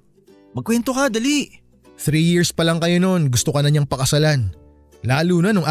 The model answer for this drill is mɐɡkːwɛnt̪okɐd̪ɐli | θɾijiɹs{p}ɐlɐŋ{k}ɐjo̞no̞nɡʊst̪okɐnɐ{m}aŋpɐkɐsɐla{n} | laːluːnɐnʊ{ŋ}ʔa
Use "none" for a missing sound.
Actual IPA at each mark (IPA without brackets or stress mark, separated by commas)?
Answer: p, k, ɲ, n, ŋ